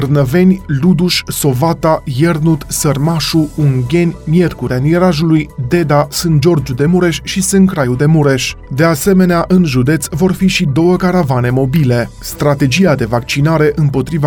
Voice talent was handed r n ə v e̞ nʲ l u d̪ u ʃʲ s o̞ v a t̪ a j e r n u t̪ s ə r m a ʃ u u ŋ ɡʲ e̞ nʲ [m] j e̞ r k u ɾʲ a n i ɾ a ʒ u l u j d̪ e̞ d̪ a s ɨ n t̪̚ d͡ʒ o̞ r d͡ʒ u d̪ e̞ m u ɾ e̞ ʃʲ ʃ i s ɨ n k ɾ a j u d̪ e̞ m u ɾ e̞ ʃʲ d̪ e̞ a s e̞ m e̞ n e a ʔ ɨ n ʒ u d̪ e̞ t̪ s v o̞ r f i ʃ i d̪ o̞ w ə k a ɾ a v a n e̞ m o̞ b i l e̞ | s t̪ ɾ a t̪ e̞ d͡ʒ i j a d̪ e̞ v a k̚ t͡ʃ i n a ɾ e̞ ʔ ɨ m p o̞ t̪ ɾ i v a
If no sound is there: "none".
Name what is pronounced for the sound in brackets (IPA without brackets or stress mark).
m